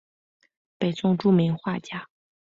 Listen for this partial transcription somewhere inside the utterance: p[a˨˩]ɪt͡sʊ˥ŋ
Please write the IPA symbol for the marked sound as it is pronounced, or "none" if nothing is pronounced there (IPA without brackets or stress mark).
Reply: e˨˩